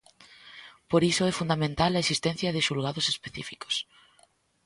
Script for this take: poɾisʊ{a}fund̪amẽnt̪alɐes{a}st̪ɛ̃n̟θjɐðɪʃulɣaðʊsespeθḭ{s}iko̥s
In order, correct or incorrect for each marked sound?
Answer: incorrect, incorrect, incorrect

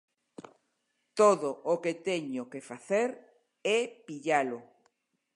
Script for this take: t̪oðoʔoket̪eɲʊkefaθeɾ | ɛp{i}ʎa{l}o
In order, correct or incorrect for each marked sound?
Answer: correct, correct

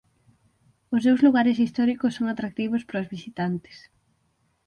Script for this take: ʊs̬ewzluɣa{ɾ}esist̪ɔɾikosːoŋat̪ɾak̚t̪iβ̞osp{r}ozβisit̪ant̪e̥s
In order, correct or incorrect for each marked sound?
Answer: correct, incorrect

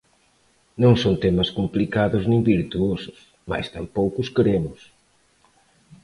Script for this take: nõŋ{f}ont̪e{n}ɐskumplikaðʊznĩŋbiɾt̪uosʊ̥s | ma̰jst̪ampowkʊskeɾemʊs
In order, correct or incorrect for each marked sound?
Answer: incorrect, incorrect

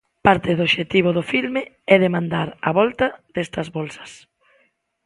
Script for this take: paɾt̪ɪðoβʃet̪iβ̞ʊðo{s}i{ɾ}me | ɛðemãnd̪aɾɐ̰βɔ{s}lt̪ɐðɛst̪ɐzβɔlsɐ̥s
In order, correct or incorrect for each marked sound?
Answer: incorrect, incorrect, incorrect

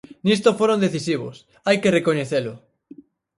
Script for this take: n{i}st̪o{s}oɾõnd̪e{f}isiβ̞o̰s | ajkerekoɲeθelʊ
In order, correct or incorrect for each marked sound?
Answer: correct, incorrect, incorrect

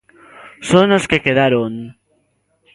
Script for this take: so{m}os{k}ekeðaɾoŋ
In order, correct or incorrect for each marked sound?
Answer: incorrect, correct

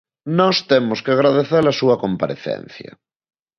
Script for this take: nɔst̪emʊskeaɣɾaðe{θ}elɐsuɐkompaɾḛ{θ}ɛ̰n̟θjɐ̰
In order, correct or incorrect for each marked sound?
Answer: correct, correct

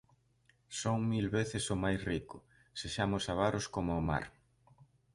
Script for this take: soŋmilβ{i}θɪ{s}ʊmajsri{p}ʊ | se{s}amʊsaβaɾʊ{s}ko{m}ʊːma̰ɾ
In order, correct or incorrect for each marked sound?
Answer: incorrect, correct, incorrect, incorrect, correct, correct

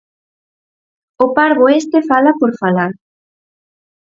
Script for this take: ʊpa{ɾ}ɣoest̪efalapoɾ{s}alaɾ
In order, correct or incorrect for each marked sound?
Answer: correct, incorrect

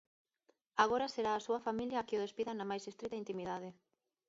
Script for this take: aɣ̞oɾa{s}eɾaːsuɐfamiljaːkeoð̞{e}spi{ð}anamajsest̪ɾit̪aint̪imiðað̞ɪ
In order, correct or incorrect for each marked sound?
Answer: correct, correct, correct

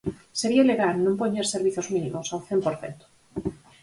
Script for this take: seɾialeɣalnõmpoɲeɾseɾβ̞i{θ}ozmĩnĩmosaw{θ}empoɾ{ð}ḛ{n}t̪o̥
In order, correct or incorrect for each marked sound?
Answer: correct, correct, incorrect, correct

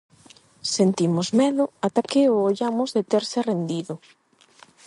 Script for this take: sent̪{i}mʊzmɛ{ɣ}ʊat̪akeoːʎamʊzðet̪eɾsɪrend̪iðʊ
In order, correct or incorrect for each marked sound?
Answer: correct, incorrect

